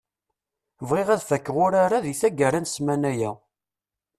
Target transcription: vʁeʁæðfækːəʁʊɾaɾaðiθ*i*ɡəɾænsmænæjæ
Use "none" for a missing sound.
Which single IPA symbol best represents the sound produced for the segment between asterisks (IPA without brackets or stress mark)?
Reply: æ